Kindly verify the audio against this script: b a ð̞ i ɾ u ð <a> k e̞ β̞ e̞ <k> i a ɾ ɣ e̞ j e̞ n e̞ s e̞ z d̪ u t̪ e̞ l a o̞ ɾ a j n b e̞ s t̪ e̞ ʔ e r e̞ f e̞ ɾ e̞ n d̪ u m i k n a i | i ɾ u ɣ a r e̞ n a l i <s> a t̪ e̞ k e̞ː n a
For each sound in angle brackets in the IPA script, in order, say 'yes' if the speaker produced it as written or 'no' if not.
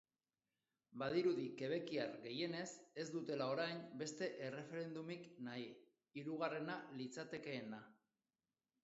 no, yes, no

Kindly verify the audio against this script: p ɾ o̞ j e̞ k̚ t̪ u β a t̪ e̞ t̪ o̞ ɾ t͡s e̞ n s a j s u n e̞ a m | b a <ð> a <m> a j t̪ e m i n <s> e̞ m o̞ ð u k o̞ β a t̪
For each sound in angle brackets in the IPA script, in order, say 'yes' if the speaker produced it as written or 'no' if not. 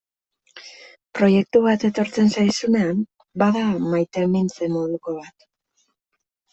yes, yes, no

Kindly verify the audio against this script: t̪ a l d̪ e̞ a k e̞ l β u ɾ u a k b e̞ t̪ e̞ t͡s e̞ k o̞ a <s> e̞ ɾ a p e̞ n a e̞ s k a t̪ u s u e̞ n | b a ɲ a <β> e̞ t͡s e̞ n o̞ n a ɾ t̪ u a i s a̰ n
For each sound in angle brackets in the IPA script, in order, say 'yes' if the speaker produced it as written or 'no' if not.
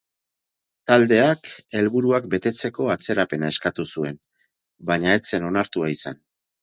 no, no

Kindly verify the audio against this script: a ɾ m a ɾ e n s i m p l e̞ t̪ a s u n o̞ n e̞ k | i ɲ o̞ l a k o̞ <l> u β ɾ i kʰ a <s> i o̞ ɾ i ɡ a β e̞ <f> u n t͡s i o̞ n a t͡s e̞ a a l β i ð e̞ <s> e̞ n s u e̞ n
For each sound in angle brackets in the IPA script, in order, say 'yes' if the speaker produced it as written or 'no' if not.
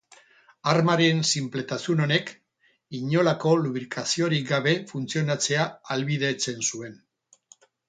yes, yes, yes, no

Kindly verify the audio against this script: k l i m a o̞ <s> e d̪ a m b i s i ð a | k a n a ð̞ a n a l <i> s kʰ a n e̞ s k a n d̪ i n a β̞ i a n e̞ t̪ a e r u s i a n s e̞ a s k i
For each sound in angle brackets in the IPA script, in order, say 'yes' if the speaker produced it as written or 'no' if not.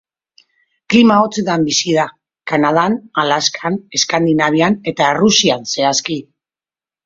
no, no

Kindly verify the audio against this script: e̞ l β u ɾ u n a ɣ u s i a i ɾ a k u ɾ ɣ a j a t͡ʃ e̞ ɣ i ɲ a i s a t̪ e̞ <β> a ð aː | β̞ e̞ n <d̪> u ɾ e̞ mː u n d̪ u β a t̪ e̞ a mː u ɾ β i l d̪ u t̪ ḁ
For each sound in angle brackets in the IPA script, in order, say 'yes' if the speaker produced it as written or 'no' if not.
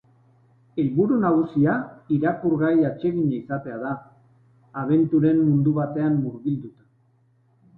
no, no

